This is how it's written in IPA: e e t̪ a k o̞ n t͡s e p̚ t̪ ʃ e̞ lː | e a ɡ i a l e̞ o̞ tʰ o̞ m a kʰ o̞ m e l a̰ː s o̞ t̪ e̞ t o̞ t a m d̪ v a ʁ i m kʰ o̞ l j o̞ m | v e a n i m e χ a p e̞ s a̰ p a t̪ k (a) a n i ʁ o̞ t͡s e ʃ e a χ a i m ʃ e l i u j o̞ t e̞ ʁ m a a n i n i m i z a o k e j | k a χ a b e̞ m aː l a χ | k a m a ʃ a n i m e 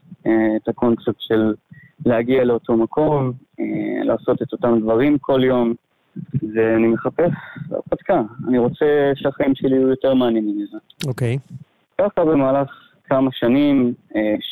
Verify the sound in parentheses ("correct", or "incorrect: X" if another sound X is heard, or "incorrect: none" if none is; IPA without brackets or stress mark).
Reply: correct